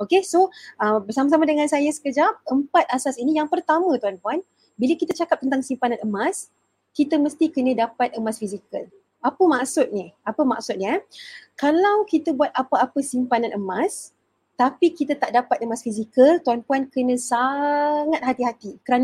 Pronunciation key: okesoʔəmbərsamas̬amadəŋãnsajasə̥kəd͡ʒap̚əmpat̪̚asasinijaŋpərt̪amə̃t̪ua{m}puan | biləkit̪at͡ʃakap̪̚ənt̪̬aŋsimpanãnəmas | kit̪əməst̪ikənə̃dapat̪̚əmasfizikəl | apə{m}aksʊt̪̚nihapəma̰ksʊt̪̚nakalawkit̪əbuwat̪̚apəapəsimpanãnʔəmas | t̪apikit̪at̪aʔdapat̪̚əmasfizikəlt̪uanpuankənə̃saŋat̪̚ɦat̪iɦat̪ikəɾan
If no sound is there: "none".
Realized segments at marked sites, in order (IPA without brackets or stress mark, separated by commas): n, m